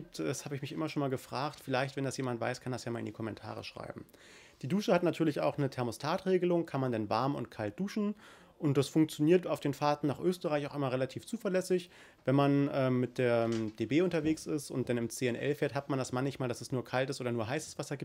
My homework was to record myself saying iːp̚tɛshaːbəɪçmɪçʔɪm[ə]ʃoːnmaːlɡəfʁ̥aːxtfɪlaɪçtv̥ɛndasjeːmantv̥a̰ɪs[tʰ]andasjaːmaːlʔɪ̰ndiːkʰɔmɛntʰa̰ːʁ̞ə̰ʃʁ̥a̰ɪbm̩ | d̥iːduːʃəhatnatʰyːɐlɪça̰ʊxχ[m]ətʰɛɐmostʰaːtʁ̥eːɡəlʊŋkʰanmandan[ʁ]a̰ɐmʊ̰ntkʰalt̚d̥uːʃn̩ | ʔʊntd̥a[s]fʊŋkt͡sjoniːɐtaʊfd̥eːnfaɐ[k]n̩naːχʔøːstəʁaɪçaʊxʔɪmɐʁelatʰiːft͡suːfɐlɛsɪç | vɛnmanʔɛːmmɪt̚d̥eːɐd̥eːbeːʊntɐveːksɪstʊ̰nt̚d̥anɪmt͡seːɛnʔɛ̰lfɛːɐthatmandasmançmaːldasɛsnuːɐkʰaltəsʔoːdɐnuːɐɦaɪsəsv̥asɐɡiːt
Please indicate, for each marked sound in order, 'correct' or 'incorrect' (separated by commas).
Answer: incorrect, incorrect, incorrect, incorrect, correct, incorrect